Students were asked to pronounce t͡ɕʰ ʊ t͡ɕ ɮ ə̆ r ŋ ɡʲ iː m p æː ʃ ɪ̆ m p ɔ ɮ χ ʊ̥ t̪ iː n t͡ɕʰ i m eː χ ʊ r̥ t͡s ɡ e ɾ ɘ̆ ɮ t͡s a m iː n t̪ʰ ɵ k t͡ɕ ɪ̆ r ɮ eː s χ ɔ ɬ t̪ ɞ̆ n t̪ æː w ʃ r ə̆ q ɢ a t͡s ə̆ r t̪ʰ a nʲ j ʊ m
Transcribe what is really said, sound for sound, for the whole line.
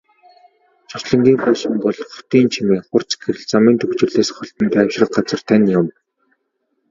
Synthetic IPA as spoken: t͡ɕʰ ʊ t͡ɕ ɮ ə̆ ŋ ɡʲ iː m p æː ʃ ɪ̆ m p ɔ ɮ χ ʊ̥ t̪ iː n t͡ɕʰ i m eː χ ʊ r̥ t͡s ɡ e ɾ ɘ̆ ɮ t͡s a m iː n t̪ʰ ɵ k t͡ɕ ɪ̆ r ɮ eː s χ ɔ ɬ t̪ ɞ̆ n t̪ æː w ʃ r ə̆ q ɢ a t͡s ə̆ r t̪ʰ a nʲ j ʊ m

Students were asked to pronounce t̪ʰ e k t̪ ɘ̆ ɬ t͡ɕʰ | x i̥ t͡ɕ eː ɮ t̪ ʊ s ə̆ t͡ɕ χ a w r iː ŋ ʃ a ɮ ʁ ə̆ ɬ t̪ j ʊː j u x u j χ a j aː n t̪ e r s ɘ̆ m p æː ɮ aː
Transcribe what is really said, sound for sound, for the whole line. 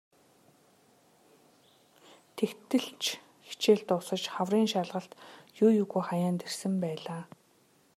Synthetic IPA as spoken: t̪ʰ e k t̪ ɘ̆ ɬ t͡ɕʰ | x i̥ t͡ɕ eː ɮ t̪ ʊ s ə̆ t͡ɕ χ a w r iː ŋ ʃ a ɮ ʁ ə̆ ɬ t̪ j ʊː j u ɣ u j χ a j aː n t̪ e r s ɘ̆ m p æː ɮ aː

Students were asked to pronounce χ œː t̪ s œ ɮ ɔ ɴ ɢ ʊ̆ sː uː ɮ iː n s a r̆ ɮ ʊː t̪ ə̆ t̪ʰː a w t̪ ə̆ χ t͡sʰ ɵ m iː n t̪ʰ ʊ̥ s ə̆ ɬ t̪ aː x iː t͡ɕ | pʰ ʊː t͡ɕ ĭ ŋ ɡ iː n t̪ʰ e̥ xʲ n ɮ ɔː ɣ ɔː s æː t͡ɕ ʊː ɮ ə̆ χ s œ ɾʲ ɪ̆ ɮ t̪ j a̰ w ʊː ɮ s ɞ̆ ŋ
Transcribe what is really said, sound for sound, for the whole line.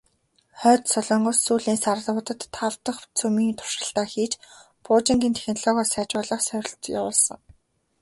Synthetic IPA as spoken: χ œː t̪ s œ ɮ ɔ ɴ ɢ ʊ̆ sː uː ɮ iː n s a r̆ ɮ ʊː t̪ ə̆ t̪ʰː a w t̪ ə̆ χ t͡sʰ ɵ m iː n t̪ʰ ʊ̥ ʃ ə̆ ɬ t̪ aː x iː t͡ɕ | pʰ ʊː t͡ɕ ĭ ŋ ɡ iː n t̪ʰ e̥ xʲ n ɮ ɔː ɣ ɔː s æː t͡ɕ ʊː ɮ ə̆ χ s œ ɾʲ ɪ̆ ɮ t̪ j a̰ w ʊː ɮ s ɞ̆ ŋ

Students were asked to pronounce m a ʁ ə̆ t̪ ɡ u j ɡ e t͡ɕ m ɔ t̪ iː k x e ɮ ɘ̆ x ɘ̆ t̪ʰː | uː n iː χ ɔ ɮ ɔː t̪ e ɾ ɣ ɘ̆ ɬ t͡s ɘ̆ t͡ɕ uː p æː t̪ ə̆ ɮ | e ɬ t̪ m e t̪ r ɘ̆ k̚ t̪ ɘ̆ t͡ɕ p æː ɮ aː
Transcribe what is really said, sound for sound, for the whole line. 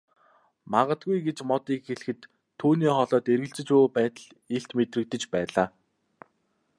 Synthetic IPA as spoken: m a ʁ ə̆ t̪ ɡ u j ɡ e t͡ɕ m ɔ t̪ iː k x e ɮ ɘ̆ x ɘ̆ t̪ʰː | uː n iː χ ɔ ɮ ɔː t̪ e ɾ ɣ ɘ̆ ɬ t͡s ɘ̆ t͡ɕ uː p æː t̪ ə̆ ɮ | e ɬ t̪ m e t̪ r ɘ̆ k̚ t̪ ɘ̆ t͡ɕ p æː ɮ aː

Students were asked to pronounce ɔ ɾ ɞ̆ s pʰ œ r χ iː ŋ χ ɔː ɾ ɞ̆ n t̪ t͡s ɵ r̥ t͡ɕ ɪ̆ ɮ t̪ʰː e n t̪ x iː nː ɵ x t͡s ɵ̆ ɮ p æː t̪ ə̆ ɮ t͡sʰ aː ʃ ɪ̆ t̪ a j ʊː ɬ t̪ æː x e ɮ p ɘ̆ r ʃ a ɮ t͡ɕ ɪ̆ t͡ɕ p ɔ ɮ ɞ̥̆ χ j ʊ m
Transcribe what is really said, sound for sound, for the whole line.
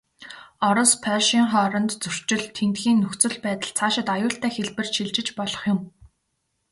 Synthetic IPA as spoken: ɔ ɾ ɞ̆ s pʰ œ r ʃ iː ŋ χ ɔː ɾ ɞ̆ n t̪ t͡s ɵ r̥ t͡ɕ ɪ̆ ɮ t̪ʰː e n t̪ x iː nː ɵ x t͡s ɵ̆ ɮ p æː t̪ ə̆ ɮ t͡sʰ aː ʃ ɪ̆ t̪ a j ʊː ɬ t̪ æː x e ɮ p ɘ̆ r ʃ i ɮ t͡ɕ ɪ̆ t͡ɕ p ɔ ɮ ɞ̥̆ χ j ʊ m

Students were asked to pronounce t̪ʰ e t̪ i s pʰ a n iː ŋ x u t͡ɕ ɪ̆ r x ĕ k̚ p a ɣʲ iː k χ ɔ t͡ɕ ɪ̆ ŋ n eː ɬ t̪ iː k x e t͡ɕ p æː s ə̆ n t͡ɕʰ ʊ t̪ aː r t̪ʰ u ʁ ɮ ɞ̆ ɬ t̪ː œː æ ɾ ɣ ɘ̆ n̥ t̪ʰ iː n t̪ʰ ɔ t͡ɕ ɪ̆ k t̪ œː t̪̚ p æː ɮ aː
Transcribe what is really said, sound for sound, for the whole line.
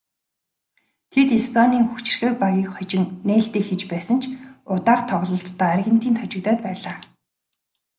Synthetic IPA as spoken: t̪ʰ e t̪ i s pʰ a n iː ŋ x u t͡ɕ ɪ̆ r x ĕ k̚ p a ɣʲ iː k χ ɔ t͡ɕ ɪ̆ ŋ n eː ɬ t̪ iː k x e t͡ɕ p æː s ə̆ n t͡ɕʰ ʊ t̪ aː r t̪ʰ ɔ ʁ ɮ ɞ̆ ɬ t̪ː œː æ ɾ ɣ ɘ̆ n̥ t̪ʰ iː n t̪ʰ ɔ t͡ɕ ɪ̆ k t̪ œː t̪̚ p æː ɮ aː

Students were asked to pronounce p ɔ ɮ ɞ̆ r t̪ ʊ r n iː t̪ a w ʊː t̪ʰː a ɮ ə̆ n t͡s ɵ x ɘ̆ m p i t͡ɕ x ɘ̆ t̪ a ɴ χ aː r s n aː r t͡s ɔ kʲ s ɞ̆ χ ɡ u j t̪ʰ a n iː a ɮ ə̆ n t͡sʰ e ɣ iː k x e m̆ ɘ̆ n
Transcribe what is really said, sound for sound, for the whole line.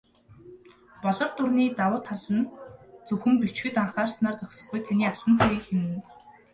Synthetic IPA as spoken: p ɔ ɮ ɞ̆ r t̪ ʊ r n iː t̪ a w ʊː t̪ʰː a ɮ ə̆ n t͡s ɵ x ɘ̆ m p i t͡ɕ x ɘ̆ t̪ a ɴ χ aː r s n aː r t͡s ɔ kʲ s ɞ̆ χ ɡ u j t̪ʰ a n iː a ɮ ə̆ n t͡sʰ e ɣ iː k x e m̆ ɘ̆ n

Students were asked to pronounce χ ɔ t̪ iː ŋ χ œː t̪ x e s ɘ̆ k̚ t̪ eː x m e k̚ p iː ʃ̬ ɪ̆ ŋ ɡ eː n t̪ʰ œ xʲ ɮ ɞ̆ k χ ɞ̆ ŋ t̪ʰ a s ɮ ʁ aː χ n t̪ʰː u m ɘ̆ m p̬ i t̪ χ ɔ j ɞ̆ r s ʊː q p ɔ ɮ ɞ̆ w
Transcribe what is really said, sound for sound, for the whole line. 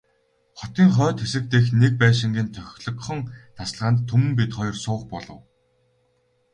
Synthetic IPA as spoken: χ ɔ t̪ iː ŋ χ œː t̪ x e s ɘ̆ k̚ t̪ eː x n e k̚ p æː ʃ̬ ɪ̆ ŋ ɡ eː n t̪ʰ œ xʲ ɮ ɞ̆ k χ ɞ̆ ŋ t̪ʰ a s ɮ ʁ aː n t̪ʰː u m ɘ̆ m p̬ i t̪ χ ɔ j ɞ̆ r s ʊː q p ɔ ɮ ɞ̆ w

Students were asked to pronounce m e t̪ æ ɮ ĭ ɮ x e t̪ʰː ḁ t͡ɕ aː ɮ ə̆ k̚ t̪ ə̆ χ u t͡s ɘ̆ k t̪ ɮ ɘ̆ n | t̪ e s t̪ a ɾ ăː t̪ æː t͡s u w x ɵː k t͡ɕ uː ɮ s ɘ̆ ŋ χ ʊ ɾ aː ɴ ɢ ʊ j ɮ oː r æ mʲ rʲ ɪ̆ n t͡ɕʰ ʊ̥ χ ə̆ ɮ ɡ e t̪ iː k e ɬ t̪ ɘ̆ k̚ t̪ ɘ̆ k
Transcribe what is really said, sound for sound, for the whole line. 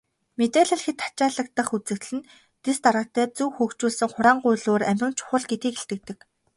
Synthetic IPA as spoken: m e t̪ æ ɮ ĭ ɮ x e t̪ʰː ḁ t͡ɕ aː ɮ ə̆ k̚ t̪ ə̆ χ u t͡s ɘ̆ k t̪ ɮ ɘ̆ n | t̪ e s t̪ a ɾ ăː t̪ æː t͡s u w x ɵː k t͡ɕ uː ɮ s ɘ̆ ŋ χ ʊ ɾ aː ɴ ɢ ʊ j ɮ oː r æ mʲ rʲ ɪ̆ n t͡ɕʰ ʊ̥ χ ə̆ ɮ ɡ e t̪ iː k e ɬ t̪ ɘ̆ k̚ t̪ ɘ̆ k

